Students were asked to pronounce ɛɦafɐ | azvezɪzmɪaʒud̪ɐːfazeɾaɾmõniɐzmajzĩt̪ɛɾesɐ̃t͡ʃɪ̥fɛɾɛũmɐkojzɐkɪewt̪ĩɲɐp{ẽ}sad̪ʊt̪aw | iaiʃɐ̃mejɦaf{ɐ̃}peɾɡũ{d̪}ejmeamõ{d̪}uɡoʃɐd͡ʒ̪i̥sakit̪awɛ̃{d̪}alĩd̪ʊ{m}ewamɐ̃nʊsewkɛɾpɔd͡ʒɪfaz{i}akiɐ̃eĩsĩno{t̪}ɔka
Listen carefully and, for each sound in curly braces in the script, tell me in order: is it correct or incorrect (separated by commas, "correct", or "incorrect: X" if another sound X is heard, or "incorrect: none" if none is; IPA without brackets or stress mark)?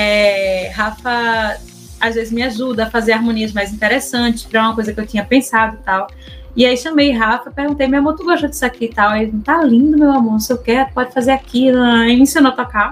correct, incorrect: ɐ, incorrect: t̪, incorrect: t̪, incorrect: t̪, correct, incorrect: e, correct